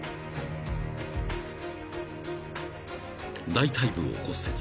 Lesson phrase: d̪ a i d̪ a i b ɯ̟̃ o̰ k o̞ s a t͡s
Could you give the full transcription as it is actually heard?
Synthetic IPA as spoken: d̪ a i t̪ a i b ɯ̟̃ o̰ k o̞ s e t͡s